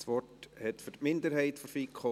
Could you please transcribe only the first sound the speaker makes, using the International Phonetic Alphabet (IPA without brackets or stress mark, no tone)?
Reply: s